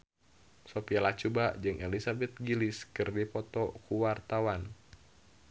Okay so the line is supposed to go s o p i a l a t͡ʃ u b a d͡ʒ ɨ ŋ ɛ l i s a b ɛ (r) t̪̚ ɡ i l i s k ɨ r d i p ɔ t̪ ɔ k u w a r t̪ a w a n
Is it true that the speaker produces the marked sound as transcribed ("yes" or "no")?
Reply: no